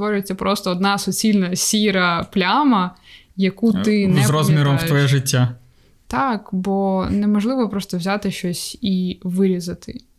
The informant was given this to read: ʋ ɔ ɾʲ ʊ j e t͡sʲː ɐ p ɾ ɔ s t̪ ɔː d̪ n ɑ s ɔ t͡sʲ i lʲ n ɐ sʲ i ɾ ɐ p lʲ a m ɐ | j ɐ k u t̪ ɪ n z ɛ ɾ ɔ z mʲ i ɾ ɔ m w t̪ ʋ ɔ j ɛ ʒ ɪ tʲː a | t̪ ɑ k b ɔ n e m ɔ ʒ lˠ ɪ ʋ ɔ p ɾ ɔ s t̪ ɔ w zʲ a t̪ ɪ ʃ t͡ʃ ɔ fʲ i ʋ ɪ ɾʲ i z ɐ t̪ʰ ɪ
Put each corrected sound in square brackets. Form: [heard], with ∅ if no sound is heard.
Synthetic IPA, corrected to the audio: ʋ ɔ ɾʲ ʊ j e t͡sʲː ɐ p ɾ ɔ s t̪ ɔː d̪ n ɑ s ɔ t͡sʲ i lʲ n ɐ sʲ i ɾ ɐ p lʲ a m ɐ | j ɐ k u t̪ ɪ n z ɛ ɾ ɔ z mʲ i ɾ ɔ m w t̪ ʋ ɔ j ɛ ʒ ɪ tʲː a | t̪ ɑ k b ɔ n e m ɔ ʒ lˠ ɪ ʋ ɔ p ɾ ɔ s t̪ ɔ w zʲ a t̪ ɪ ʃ t͡ʃ ɔ [sʲ] i ʋ ɪ ɾʲ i z ɐ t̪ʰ ɪ